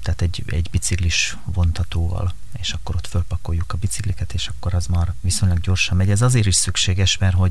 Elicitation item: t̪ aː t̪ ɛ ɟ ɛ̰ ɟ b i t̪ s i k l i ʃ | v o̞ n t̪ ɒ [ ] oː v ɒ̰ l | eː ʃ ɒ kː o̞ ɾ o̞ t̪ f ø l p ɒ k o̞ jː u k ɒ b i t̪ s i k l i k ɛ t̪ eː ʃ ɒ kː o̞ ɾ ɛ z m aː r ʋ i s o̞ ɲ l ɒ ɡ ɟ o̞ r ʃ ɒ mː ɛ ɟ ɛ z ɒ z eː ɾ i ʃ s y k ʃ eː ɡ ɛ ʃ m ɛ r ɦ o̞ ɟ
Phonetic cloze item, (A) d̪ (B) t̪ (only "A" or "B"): B